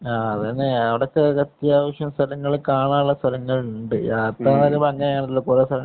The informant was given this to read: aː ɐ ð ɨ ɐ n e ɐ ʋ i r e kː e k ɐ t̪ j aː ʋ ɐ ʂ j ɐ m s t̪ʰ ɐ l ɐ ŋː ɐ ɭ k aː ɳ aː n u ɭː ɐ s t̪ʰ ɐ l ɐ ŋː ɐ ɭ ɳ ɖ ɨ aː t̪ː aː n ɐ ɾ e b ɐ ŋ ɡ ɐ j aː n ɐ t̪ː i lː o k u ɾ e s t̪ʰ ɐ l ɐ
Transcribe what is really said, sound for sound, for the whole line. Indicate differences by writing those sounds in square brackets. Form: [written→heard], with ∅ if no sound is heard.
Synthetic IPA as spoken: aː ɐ ð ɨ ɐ n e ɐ ʋ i [r→ɽ] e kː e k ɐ t̪ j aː ʋ ɐ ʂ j ɐ m s t̪ʰ ɐ l ɐ ŋː ɐ ɭ k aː ɳ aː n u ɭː ɐ s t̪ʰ ɐ l ɐ ŋː ɐ ɭ ɳ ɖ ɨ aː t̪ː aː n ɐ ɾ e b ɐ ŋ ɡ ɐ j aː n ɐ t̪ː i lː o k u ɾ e s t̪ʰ ɐ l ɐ